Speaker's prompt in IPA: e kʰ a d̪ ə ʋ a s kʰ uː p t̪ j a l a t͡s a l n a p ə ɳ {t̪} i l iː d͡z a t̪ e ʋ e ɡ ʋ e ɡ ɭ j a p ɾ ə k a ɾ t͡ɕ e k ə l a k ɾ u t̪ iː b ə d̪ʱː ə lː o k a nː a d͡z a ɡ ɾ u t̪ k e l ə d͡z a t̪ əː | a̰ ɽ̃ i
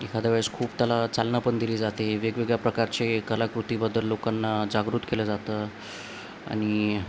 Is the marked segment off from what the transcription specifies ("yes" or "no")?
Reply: yes